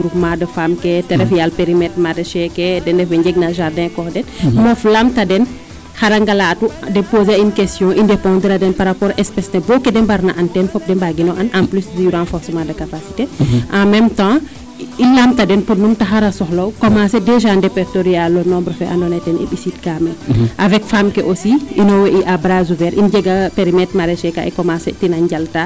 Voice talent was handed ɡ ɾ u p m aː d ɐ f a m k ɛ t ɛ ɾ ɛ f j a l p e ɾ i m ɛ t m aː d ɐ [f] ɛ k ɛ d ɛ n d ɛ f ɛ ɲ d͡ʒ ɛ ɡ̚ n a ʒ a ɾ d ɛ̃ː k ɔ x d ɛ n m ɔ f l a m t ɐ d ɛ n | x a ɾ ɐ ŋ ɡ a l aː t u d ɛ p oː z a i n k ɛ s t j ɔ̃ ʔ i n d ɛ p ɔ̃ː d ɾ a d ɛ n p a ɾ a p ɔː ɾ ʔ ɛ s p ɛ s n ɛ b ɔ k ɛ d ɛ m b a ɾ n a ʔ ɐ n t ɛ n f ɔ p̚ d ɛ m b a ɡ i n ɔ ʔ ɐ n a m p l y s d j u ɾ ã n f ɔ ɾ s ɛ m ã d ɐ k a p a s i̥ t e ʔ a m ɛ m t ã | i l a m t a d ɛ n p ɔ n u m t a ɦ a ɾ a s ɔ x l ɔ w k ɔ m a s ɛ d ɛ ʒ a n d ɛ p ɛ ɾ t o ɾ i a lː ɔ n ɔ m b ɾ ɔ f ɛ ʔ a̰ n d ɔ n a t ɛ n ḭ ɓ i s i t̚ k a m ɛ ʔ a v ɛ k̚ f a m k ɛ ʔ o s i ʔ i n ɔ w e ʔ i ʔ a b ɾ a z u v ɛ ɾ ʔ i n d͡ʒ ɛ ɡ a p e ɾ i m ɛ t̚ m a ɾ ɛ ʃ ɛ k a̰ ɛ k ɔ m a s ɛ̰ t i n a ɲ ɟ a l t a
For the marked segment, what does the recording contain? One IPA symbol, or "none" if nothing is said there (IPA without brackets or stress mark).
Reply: ʃ